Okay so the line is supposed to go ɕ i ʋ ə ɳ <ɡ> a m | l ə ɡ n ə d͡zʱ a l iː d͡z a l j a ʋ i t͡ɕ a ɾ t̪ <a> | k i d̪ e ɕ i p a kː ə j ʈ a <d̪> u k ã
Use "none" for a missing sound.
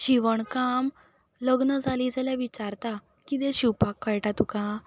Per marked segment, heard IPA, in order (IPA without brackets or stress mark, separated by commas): k, a, t̪